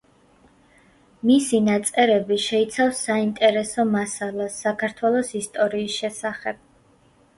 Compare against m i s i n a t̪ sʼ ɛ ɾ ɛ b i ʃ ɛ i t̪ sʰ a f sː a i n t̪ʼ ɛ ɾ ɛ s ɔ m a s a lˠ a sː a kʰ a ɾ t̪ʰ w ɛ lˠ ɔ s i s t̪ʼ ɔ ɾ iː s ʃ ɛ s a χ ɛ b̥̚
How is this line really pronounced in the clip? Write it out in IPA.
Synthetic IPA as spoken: m i s i n a t̪ sʼ ɛ ɾ ɛ b i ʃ ɛ i t̪ sʰ a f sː a i n t̪ʼ ɛ ɾ ɛ s ɔ m a s a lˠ a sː a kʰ a ɾ t̪ʰ w ɛ lˠ ɔ s i s t̪ʼ ɔ ɾ iː s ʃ ɛ s a χ ɛ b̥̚